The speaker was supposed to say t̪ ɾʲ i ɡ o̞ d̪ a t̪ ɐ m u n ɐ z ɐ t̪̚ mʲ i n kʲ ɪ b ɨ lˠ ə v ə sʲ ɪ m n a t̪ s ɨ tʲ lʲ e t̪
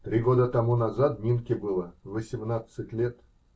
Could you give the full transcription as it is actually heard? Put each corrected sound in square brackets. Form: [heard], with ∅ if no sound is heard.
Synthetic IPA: t̪ ɾʲ i ɡ o̞ d̪ [ə] t̪ ɐ m u n ɐ z [a] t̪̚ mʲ i n kʲ ɪ b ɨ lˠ ə v ə sʲ ɪ m n a t̪ s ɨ tʲ lʲ e t̪